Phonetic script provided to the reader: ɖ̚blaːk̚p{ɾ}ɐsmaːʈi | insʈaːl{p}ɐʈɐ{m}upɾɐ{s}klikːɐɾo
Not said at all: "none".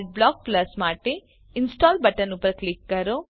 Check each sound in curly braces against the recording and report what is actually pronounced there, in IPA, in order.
l, b, n, none

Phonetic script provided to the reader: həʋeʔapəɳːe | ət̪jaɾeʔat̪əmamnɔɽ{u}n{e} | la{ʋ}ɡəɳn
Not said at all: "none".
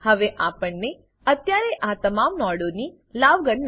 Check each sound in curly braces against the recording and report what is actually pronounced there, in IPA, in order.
o, i, ʋ

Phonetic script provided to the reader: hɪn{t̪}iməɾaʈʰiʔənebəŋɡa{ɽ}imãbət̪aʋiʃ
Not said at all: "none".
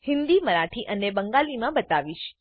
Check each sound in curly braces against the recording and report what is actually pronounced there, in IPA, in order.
d̪, l

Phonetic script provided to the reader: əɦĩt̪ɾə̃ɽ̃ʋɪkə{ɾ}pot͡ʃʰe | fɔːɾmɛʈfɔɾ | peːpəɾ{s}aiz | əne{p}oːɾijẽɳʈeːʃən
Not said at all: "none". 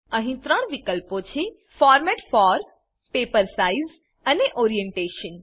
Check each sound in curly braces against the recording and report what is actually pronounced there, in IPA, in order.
l, s, ʔ

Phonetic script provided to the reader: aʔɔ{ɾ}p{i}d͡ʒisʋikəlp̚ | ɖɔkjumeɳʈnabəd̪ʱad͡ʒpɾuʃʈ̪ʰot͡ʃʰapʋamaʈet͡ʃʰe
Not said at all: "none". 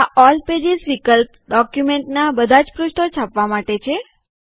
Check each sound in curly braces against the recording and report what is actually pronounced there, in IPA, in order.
l, e

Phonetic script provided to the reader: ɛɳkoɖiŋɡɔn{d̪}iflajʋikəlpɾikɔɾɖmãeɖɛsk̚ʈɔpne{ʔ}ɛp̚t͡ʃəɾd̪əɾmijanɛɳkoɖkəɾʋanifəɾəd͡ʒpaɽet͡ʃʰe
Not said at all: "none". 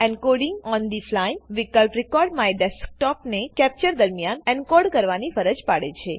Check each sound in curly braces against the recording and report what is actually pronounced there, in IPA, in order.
d̪, k

